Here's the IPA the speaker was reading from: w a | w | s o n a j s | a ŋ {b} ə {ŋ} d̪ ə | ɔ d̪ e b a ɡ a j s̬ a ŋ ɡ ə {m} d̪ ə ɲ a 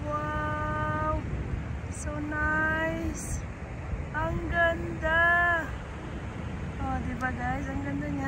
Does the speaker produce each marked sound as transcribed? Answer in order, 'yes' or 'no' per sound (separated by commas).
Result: no, no, no